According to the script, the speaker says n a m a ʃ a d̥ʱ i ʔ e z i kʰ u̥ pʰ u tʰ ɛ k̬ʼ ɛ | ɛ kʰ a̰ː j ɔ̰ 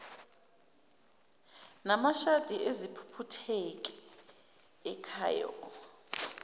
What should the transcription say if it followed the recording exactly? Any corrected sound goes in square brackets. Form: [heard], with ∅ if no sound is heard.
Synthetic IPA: n a m a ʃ a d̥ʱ i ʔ e z i [pʰ] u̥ pʰ u tʰ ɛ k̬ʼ ɛ | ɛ kʰ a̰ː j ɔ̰

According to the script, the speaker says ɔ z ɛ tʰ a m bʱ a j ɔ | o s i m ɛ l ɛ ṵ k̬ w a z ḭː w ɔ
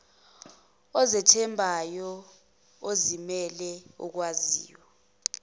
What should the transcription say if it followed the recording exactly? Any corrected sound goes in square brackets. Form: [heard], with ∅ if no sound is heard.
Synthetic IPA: ɔ z ɛ tʰ [ɛ] m bʱ a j ɔ | o [z] i m ɛ l ɛ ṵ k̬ w a z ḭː w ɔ

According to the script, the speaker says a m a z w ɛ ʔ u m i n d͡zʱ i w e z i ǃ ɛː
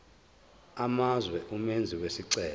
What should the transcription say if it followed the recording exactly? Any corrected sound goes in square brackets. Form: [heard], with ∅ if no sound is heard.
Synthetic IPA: a m a z w ɛ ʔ u m [e] n d͡zʱ i w e [s] i [ǀ] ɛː

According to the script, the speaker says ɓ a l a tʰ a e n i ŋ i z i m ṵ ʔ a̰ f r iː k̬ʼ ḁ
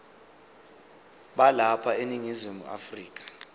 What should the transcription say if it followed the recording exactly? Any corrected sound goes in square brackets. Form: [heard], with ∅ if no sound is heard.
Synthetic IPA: ɓ a l a [pʰ] a e n i ŋ i z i m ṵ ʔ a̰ f r iː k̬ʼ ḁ

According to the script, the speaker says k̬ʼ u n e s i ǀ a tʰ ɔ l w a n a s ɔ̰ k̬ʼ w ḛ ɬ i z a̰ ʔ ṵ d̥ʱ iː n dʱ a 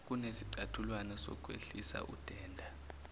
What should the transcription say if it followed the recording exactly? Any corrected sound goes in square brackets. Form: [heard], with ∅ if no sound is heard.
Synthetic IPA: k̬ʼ u n e s i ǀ a tʰ [u] l w a n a s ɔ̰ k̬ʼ w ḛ ɬ i [s] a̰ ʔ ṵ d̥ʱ [ɛː] n dʱ a

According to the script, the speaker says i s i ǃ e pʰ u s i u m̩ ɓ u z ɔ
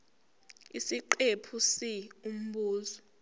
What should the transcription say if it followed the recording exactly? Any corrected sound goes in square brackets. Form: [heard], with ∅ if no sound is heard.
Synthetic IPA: i s i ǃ e pʰ u s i u m̩ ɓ [uː] z ɔ

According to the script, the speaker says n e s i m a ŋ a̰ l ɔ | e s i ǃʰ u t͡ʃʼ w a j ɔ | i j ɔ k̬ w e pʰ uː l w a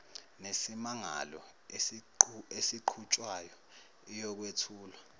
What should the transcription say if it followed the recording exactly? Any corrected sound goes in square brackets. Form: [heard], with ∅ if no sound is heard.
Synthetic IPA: n e s i m a ŋ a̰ l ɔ | e s i ǃʰ u t͡ʃʼ w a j ɔ | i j ɔ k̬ w e [tʰ] uː l w a

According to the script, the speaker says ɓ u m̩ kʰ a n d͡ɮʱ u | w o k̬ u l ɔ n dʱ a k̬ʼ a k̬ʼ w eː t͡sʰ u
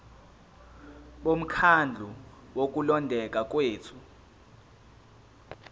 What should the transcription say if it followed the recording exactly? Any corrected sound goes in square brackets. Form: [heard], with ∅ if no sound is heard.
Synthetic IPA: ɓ [o] m̩ kʰ a n d͡ɮʱ u | w o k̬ u l ɔ n dʱ [ɛ] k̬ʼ a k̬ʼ w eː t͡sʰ u

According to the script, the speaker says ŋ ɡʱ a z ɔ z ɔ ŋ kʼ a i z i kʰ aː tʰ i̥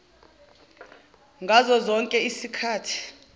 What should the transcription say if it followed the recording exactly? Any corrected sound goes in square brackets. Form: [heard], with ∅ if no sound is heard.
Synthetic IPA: ŋ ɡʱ a z ɔ z ɔ ŋ kʼ [ɛ] i [s] i kʰ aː tʰ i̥

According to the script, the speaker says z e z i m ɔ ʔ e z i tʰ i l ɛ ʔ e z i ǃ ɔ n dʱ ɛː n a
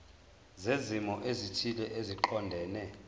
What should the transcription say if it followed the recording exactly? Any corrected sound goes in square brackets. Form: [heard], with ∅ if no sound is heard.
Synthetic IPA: z e z i m ɔ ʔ e z i tʰ i l ɛ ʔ e z i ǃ ɔ n dʱ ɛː n [ɛ]

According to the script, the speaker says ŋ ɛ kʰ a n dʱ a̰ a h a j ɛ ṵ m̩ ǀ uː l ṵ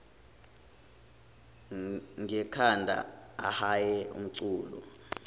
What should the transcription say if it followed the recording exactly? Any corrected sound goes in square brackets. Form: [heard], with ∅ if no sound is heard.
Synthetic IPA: ŋ ɛ kʰ a n dʱ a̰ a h a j ɛ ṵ m̩ ǀ uː l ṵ

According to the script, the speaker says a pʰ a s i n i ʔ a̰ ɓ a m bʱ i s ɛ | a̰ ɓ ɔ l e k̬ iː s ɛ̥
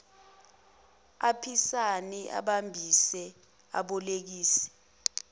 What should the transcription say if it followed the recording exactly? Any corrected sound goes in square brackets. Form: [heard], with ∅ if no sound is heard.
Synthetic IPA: a pʰ [i] s [a] n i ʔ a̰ ɓ a m bʱ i s ɛ | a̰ ɓ ɔ l e k̬ iː s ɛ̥

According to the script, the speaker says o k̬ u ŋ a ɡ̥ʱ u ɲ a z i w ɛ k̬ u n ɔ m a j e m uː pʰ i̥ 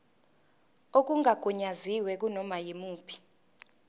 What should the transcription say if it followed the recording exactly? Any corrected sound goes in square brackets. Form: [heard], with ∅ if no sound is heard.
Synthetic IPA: o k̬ u ŋ a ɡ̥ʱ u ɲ a z i w ɛ k̬ u n ɔ m a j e m uː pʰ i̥

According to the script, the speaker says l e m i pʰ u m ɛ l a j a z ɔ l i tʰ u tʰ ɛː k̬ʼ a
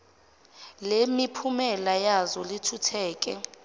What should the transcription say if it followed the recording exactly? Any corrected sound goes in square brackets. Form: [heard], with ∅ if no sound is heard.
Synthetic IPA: l e m i pʰ u m ɛ l a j a z ɔ l i tʰ u tʰ ɛː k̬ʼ [ɛ]

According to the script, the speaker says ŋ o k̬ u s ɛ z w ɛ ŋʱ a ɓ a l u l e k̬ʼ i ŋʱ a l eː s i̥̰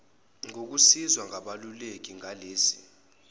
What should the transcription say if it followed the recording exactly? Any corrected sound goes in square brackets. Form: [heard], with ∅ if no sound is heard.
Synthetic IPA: ŋ o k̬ u s [i] z w [a] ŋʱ a ɓ a l u l e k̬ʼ i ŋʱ a l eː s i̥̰

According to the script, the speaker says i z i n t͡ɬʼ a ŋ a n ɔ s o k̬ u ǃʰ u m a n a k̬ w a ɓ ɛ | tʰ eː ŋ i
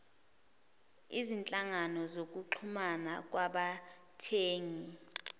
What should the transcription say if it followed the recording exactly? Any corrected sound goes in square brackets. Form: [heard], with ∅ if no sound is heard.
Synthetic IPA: i z i n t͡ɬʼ a ŋ a n ɔ [z] o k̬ u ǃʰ u m a n a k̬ w a ɓ [a] | tʰ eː ŋ i

